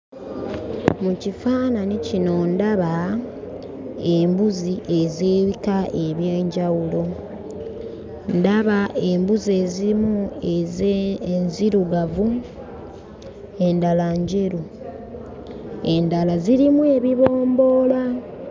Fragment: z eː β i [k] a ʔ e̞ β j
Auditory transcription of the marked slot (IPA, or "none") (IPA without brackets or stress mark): k